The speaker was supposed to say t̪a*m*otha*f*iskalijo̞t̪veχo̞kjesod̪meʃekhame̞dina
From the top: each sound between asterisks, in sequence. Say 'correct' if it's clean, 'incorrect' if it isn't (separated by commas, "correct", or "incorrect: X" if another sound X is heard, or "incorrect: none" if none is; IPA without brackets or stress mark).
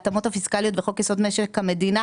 correct, correct